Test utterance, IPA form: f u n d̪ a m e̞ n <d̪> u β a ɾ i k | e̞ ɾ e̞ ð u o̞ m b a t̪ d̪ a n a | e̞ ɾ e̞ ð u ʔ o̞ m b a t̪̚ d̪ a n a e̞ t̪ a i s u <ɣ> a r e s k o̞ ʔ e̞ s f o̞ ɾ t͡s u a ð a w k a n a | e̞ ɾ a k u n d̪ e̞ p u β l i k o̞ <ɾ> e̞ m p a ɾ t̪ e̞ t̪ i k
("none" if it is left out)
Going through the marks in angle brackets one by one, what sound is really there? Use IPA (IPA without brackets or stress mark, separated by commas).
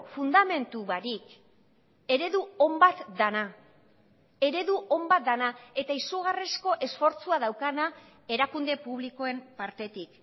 t̪, ɣ, none